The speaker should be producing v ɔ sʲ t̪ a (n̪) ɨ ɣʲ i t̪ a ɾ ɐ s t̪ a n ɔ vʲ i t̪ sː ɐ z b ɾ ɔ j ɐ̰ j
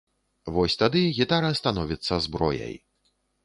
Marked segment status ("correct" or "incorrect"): incorrect